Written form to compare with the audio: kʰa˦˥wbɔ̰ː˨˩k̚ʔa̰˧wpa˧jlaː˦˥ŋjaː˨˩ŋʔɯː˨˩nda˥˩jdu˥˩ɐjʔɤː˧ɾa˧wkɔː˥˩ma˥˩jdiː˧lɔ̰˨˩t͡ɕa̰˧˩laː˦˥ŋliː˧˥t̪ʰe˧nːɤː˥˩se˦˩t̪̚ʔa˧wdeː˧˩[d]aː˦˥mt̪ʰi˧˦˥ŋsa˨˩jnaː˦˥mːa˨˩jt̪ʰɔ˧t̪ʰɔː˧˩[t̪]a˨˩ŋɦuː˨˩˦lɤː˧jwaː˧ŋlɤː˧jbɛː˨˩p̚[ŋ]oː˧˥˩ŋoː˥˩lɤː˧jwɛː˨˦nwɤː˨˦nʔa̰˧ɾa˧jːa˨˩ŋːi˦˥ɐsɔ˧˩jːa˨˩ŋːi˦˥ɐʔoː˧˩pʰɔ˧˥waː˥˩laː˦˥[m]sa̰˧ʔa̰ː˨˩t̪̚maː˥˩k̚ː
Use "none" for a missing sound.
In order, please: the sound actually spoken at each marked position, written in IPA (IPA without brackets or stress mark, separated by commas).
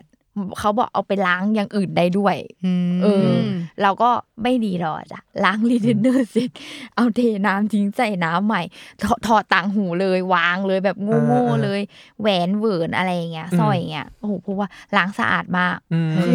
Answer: n, t̪, ŋ, ŋ